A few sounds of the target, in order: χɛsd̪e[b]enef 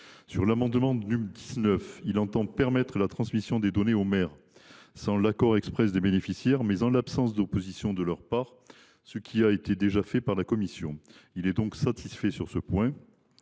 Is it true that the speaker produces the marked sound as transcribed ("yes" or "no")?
yes